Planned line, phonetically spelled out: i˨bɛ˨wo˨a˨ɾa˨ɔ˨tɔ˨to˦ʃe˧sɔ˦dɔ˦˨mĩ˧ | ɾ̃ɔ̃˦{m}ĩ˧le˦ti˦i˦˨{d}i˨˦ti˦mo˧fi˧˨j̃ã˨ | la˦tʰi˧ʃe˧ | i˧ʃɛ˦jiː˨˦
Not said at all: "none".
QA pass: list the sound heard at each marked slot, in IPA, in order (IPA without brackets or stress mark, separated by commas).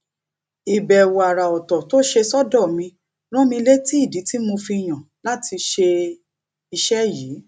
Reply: m, d